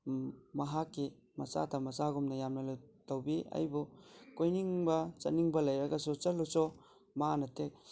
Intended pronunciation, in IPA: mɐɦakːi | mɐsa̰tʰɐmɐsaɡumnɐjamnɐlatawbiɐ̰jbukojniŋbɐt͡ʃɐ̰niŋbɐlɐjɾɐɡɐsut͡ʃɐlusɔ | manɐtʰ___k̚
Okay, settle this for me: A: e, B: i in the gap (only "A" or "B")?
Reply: A